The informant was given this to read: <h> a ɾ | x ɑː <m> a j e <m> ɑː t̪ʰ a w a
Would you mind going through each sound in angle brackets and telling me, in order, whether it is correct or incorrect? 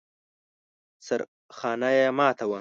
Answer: incorrect, incorrect, correct

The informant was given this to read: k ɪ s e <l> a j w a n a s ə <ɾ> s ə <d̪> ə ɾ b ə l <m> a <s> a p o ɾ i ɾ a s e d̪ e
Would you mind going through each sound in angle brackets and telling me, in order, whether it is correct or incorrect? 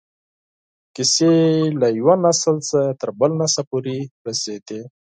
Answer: correct, incorrect, incorrect, incorrect, correct

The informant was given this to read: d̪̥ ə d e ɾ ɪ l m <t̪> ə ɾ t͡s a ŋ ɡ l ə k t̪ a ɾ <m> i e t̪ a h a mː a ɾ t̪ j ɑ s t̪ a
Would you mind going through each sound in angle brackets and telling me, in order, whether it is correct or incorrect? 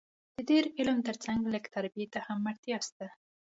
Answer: correct, incorrect

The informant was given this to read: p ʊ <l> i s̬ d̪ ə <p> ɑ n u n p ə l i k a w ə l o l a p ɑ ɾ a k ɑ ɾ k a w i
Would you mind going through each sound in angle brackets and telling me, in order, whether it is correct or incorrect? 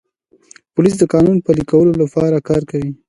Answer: correct, incorrect

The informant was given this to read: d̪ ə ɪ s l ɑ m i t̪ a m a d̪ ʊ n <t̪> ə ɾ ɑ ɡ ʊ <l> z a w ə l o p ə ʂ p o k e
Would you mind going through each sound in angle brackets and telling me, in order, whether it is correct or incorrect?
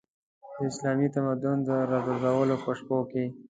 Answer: incorrect, incorrect

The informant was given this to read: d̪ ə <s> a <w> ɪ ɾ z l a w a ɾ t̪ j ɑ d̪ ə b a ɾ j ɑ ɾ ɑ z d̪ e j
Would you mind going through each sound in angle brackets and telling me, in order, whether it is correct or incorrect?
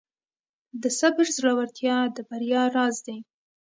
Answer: correct, incorrect

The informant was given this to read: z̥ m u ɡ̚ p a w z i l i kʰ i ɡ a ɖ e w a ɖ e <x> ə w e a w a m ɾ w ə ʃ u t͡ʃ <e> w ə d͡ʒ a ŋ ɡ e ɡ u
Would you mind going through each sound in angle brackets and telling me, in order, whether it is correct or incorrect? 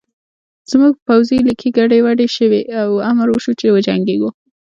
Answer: incorrect, correct

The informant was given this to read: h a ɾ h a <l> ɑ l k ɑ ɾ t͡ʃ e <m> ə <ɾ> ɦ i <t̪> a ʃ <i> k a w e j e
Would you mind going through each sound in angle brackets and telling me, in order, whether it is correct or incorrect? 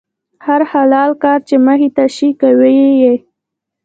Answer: correct, correct, incorrect, correct, correct

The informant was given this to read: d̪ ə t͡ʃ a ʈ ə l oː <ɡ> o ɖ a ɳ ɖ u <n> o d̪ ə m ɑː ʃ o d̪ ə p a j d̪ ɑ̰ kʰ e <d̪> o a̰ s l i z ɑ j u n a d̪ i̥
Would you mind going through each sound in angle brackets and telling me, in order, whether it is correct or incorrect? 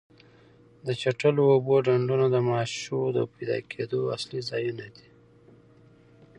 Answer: incorrect, correct, correct

